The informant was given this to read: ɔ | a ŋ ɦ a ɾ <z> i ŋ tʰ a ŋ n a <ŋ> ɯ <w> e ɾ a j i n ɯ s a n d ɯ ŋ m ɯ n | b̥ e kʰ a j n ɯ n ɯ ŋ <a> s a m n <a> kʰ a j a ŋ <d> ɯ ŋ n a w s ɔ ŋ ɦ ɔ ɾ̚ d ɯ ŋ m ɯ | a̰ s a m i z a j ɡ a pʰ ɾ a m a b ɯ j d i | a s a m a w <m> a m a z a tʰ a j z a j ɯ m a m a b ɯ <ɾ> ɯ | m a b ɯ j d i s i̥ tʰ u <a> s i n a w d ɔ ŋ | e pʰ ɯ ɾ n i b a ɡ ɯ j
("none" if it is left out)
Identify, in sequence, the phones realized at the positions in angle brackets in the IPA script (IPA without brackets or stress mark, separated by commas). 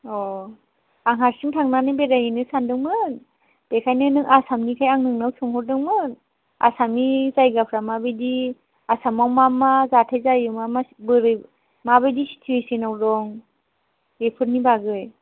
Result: s, n, b, a, i, n, m, ɾ, e